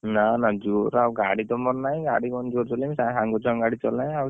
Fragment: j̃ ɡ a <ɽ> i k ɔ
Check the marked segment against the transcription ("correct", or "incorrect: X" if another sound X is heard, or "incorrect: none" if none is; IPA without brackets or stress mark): correct